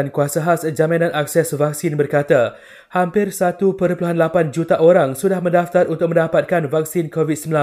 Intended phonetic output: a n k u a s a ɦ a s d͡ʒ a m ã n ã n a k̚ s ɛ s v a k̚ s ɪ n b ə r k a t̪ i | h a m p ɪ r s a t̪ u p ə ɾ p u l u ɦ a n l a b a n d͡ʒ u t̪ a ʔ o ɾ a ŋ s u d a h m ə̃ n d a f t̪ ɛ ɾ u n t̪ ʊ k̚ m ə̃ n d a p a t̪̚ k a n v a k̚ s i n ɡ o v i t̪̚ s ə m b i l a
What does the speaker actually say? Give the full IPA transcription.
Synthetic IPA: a n k u a s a ɦ a s d͡ʒ a m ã n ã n a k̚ s ɛ s v a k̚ s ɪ n b ə r k a t̪ a | h a m p ɪ r s a t̪ u p ə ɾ p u l u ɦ a n l a p a n d͡ʒ u t̪ a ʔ o ɾ a ŋ s u d a h m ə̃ n d a f t̪ a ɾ u n t̪ ʊ k̚ m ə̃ n d a p a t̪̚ k a n v a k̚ s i n k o v i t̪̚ s ə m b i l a